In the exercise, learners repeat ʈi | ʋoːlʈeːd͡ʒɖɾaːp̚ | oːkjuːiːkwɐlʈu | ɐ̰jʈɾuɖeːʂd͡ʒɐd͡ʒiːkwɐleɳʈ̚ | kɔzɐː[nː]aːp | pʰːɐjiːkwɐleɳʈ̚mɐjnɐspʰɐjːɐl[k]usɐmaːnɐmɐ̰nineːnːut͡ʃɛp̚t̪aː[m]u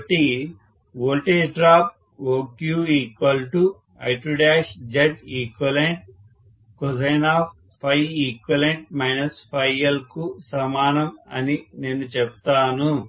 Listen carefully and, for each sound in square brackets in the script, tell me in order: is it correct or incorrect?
incorrect, correct, incorrect

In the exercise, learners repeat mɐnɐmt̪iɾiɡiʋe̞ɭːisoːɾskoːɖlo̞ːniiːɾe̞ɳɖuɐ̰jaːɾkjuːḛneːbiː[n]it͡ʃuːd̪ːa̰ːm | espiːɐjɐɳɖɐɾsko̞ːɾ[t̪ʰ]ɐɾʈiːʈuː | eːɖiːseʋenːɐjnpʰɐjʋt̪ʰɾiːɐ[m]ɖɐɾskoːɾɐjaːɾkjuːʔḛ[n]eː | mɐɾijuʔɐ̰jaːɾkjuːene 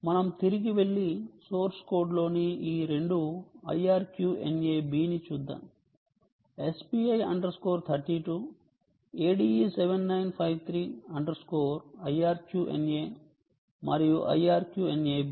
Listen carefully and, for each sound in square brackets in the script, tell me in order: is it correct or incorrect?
correct, correct, incorrect, correct

